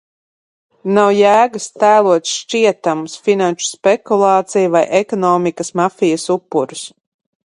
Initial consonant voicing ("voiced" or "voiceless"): voiced